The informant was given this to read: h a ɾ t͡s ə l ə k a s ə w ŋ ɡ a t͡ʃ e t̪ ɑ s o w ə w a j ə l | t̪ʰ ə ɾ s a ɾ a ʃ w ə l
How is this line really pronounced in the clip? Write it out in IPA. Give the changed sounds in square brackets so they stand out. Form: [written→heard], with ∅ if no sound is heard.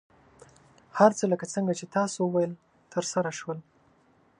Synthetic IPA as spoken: h a ɾ t͡s ə l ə k a [s→t͡s] ə [w→∅] ŋ ɡ a t͡ʃ e t̪ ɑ s o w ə w a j ə l | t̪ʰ ə ɾ s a ɾ a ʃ w ə l

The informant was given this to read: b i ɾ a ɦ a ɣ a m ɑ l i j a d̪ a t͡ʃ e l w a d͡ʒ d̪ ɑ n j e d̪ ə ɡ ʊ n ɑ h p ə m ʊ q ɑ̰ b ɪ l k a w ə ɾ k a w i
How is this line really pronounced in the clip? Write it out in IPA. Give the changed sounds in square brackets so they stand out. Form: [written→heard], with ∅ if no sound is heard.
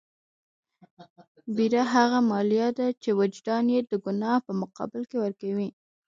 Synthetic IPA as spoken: b i ɾ a ɦ a ɣ a m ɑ l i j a d̪ a t͡ʃ e [l→∅] w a d͡ʒ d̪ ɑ n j e d̪ ə ɡ ʊ n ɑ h p ə m ʊ q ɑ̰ b ɪ l k [a→e] w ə ɾ k a w i

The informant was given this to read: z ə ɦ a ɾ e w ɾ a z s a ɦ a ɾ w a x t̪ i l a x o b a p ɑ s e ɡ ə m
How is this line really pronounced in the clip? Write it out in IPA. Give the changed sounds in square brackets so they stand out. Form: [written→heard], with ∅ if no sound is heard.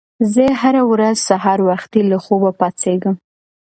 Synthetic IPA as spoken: z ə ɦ a ɾ [e→a] w ɾ a z s a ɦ [a→ɑ] ɾ w a x t̪ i l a x o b a p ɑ [s→t͡s] e ɡ ə m

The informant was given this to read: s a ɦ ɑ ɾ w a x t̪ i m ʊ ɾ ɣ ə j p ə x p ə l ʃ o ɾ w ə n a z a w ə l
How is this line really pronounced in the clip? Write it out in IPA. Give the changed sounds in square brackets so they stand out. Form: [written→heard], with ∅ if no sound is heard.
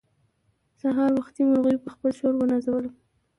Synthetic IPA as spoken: s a ɦ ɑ ɾ w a x t̪ i m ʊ ɾ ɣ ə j p ə x p ə l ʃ o ɾ w ə n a z a w ə l

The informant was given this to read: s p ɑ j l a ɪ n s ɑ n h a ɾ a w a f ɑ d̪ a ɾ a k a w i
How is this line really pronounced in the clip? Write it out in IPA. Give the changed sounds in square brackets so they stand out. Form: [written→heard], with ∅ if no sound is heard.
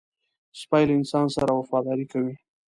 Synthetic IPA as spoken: s p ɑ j l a ɪ n s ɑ n [h→s] a ɾ a w a f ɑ d̪ [a→ɑ] ɾ [a→i] k a w i

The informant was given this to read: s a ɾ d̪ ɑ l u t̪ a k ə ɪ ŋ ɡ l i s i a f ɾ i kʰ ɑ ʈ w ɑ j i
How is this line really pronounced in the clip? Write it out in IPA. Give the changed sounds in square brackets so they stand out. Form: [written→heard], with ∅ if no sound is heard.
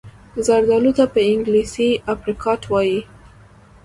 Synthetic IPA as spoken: [s→z] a ɾ d̪ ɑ l u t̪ a [k→p] ə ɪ ŋ ɡ l i s i a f ɾ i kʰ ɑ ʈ w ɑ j i

